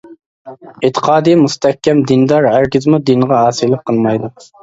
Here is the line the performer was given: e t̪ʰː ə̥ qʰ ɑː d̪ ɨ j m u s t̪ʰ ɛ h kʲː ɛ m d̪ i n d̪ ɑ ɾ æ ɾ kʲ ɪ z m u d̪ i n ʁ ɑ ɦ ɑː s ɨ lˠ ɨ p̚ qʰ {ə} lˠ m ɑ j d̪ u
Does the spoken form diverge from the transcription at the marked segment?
no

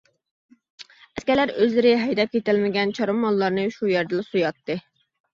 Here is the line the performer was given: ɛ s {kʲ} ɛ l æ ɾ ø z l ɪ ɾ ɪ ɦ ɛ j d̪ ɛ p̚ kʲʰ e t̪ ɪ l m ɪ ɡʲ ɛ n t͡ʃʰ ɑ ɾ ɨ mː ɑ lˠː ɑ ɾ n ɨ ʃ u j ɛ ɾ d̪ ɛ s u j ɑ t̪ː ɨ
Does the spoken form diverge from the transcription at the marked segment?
no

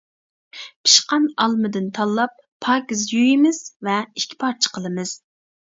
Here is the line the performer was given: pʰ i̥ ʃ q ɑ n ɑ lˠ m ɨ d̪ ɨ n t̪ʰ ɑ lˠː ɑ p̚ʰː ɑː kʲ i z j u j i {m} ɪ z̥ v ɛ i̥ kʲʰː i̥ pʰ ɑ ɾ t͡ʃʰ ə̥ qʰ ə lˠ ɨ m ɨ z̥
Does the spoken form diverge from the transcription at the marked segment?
no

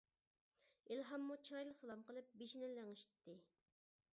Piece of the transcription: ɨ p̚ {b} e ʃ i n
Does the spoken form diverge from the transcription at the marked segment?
no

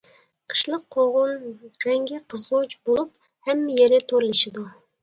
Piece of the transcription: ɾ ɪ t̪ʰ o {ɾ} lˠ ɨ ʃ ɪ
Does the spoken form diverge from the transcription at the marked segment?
no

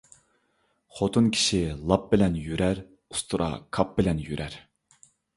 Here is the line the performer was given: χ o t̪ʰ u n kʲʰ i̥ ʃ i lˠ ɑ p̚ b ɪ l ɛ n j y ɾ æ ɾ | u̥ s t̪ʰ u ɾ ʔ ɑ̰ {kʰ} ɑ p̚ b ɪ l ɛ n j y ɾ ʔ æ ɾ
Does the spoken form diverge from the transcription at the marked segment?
no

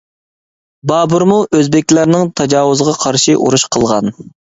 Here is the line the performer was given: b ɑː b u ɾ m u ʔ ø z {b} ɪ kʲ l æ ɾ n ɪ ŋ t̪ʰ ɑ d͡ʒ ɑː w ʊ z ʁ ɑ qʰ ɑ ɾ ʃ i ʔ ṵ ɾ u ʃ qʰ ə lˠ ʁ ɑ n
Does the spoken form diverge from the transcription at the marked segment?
no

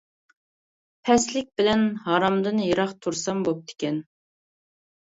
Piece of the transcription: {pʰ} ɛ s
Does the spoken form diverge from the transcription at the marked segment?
no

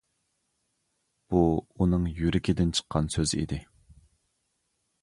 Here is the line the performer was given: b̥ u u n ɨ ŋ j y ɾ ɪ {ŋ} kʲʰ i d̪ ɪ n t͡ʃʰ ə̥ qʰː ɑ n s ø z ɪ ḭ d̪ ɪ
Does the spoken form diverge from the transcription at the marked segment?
yes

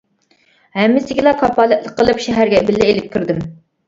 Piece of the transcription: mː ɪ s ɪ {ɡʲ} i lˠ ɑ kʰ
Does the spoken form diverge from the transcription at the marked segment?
no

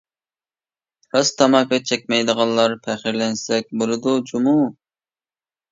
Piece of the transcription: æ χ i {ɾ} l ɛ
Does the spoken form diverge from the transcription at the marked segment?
no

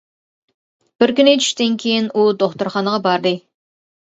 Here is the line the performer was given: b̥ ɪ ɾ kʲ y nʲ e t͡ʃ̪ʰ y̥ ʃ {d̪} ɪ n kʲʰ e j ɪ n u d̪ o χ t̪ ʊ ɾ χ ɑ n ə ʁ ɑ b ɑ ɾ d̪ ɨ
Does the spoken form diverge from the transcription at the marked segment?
yes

